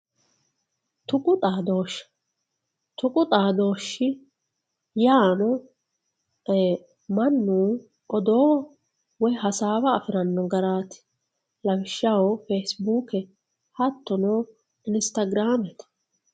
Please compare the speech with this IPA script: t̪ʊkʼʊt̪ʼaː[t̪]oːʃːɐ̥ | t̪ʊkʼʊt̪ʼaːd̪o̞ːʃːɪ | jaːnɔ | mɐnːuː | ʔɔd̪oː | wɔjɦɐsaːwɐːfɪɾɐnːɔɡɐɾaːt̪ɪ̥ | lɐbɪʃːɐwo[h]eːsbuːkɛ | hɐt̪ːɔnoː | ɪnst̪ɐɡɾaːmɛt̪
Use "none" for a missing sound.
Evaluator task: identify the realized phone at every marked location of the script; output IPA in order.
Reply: d̪, f

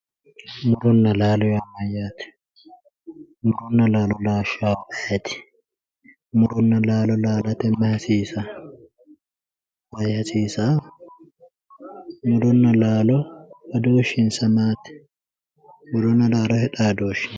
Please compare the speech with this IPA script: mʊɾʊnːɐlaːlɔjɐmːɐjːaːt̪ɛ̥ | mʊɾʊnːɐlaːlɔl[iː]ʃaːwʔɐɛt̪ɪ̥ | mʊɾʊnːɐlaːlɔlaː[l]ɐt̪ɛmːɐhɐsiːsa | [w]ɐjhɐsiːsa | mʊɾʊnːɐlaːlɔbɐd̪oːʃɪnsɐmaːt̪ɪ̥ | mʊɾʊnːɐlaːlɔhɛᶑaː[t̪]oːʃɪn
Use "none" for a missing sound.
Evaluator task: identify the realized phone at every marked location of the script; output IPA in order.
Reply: aː, l, w, d̪

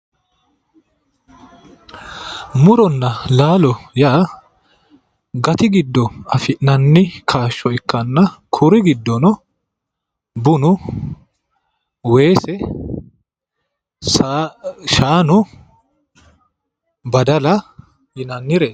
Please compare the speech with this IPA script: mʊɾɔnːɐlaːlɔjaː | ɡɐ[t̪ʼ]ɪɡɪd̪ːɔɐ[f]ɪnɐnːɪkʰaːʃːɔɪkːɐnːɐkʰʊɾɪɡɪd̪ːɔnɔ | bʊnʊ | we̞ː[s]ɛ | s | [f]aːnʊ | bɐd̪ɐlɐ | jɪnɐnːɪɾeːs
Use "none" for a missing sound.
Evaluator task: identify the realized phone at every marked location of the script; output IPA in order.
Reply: t̪, f, s, ʃ

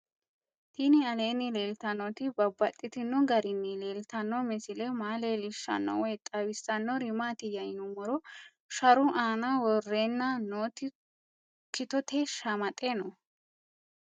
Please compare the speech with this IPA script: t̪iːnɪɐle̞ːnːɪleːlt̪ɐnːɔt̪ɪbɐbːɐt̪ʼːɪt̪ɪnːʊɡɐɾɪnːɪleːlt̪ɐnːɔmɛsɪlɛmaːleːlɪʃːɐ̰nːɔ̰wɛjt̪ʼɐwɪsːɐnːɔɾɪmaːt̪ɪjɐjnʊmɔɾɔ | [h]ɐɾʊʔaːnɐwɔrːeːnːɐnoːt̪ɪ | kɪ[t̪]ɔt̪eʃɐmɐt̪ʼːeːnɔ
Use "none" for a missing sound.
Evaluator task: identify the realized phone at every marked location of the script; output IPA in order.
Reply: ʃ, t̪

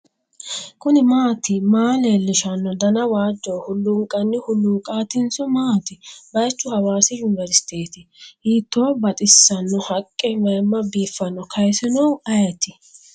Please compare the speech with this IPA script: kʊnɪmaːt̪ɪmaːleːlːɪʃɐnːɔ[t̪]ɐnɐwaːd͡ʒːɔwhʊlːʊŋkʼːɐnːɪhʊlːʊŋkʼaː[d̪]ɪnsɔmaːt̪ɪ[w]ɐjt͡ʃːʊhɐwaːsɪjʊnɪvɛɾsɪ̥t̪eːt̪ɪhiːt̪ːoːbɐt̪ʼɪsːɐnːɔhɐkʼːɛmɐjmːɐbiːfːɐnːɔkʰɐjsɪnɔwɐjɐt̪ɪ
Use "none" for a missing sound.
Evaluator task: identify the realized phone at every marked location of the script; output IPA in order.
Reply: d̪, t̪, b

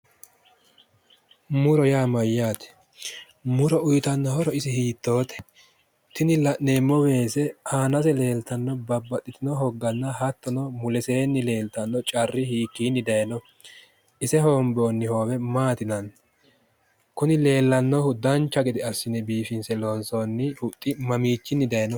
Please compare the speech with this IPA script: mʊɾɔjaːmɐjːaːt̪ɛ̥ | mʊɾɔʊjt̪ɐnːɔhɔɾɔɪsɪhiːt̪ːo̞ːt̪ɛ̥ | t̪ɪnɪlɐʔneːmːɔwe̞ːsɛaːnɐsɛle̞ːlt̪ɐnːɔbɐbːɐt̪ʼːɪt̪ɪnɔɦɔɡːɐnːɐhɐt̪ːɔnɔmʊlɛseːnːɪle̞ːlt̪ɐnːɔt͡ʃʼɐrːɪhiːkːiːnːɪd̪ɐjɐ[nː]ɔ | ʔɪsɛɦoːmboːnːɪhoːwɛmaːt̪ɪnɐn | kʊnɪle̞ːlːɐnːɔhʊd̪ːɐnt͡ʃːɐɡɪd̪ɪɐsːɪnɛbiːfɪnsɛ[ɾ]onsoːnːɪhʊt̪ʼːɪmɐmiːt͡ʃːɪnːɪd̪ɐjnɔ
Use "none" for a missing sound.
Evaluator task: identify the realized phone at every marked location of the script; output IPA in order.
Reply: n, l

